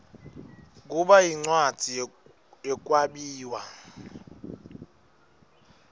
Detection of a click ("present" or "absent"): present